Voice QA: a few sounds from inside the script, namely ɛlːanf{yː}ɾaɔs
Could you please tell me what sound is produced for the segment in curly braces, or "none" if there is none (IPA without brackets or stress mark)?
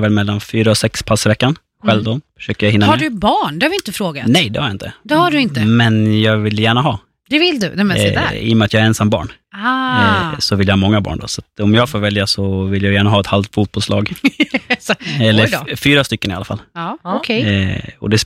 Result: yː